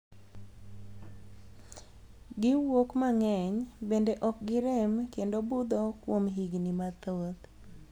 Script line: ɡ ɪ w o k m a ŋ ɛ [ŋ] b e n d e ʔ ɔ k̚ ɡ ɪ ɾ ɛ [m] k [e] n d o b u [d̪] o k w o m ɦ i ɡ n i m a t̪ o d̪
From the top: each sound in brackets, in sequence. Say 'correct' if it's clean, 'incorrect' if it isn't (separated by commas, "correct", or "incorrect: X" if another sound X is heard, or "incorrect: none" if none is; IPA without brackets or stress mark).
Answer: incorrect: ɲ, correct, correct, correct